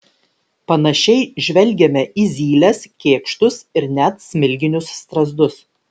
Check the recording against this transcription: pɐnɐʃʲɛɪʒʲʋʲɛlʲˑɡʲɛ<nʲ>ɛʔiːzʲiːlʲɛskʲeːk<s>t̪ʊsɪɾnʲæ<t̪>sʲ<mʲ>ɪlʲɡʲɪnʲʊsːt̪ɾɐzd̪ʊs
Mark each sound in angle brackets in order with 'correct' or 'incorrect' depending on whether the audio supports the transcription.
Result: incorrect: mʲ, incorrect: ʃ, correct, correct

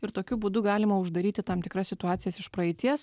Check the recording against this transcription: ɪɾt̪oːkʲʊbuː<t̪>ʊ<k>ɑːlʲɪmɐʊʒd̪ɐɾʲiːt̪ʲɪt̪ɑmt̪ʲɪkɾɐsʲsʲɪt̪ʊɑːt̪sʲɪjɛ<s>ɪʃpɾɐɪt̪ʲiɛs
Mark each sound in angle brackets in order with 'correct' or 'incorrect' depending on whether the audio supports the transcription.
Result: incorrect: d̪, incorrect: ɡ, correct

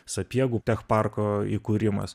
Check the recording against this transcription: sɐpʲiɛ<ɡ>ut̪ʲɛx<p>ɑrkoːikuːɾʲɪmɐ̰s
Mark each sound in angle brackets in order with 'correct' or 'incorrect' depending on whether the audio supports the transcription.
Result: correct, correct

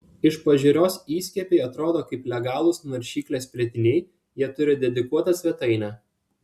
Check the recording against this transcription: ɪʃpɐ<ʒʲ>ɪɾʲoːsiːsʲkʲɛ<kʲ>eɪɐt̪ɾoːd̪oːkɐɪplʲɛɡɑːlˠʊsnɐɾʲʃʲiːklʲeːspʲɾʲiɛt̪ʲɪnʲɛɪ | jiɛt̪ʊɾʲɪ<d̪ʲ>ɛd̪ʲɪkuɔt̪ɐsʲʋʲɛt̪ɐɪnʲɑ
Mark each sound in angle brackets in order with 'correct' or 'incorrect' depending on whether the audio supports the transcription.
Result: correct, incorrect: pʲ, correct

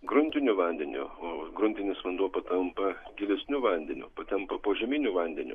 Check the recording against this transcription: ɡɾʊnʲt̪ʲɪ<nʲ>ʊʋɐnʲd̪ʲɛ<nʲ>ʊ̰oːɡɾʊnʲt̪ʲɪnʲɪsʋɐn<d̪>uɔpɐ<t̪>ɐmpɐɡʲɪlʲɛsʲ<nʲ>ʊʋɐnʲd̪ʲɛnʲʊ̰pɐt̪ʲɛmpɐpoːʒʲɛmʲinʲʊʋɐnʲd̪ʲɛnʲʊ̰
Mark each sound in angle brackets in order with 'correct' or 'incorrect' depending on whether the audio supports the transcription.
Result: correct, correct, correct, correct, correct

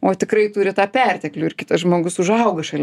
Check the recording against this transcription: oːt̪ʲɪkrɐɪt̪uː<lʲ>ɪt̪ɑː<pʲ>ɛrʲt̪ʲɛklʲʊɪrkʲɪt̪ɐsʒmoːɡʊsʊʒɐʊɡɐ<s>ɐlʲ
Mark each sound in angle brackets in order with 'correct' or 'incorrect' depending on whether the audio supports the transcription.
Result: incorrect: ɾʲ, correct, incorrect: ʃ

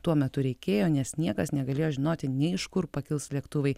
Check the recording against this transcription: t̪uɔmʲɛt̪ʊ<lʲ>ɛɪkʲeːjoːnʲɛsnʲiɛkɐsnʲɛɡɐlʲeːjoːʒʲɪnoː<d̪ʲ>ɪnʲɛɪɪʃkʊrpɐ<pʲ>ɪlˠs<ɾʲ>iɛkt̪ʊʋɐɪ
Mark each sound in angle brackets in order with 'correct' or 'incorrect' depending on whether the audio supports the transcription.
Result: incorrect: ɾʲ, incorrect: t̪ʲ, incorrect: kʲ, incorrect: lʲ

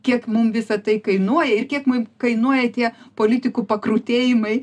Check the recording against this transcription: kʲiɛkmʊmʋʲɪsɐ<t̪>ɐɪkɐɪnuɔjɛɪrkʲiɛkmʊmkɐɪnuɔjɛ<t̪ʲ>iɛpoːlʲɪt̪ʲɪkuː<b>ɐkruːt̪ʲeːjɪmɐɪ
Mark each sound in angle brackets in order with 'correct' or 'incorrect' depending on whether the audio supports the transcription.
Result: correct, correct, incorrect: p

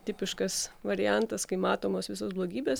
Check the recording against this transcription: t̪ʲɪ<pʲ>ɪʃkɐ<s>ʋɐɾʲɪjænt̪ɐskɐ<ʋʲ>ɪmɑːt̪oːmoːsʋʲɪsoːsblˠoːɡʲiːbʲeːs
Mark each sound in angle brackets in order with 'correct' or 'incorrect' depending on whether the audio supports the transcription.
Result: correct, correct, incorrect: none

